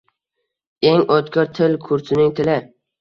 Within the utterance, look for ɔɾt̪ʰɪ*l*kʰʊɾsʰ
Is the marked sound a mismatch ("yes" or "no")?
no